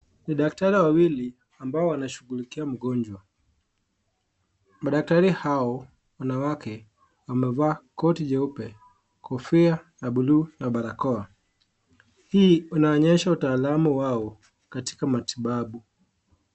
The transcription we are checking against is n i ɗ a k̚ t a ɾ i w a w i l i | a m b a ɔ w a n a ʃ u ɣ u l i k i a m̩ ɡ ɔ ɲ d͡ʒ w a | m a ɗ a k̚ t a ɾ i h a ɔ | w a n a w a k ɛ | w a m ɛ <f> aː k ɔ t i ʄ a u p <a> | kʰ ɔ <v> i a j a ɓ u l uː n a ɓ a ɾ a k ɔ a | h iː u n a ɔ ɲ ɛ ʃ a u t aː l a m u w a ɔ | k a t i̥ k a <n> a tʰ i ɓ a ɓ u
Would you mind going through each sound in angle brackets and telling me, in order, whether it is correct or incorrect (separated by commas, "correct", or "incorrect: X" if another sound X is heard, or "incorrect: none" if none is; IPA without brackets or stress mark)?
incorrect: v, incorrect: ɛ, incorrect: f, incorrect: m